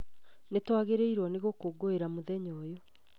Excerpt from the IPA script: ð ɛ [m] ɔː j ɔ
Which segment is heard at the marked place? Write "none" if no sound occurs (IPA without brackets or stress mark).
ɲ